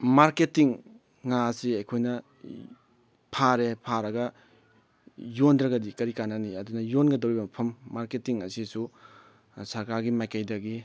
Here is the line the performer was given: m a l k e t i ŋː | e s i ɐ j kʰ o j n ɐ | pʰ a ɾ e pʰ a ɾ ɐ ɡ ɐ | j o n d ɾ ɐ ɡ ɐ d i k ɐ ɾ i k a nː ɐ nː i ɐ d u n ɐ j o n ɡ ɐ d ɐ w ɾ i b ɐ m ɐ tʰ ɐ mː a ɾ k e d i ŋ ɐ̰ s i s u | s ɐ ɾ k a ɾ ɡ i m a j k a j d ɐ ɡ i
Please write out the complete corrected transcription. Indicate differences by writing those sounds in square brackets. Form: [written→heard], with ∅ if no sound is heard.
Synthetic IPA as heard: m a [l→ɾ] k e t i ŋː | [e→a] s i ɐ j kʰ o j n ɐ | pʰ a ɾ e pʰ a ɾ ɐ ɡ ɐ | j o n d ɾ ɐ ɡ ɐ d i k ɐ ɾ i k a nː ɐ [nː→n] i ɐ d u n ɐ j o n ɡ ɐ d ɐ w ɾ i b ɐ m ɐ [tʰ→pʰ] ɐ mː a ɾ k e [d→t] i ŋ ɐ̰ s i s u | s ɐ ɾ k a ɾ ɡ i m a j k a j d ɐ ɡ i